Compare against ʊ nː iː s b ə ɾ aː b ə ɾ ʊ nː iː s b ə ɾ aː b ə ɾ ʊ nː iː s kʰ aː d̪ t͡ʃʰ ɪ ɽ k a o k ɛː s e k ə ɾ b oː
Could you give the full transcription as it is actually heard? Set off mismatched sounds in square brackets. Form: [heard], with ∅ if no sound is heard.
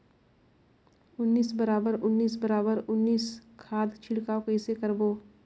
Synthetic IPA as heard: ʊ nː iː s b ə ɾ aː b ə ɾ ʊ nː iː s b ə ɾ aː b ə ɾ ʊ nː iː s kʰ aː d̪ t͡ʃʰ ɪ ɽ k a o k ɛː s e k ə ɾ b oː